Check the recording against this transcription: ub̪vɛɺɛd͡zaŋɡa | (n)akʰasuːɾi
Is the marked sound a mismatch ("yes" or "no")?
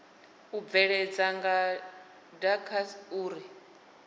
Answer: yes